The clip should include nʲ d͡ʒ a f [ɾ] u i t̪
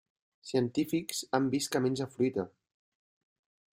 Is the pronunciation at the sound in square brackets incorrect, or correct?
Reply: correct